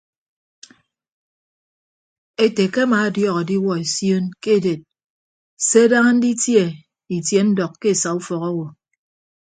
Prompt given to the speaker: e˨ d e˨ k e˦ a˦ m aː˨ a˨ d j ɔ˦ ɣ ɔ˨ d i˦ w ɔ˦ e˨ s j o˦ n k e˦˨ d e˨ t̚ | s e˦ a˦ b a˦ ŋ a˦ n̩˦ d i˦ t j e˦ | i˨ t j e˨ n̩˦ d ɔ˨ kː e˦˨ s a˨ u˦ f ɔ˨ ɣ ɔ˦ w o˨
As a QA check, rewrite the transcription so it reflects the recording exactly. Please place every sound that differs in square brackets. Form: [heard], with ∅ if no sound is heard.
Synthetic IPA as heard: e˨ [t] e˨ k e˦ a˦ m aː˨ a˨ d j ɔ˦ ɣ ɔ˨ d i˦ w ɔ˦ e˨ s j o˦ n k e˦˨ d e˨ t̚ | s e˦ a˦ [d] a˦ ŋ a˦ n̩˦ d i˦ t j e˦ | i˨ t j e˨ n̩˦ d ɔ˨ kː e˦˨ s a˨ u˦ f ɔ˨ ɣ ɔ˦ w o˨